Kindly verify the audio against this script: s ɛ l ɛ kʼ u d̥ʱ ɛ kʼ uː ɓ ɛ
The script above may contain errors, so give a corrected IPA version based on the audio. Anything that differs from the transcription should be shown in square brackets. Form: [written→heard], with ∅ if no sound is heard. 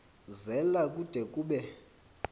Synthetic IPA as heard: [s→z] ɛ l [ɛ→a] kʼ u d̥ʱ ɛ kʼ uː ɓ ɛ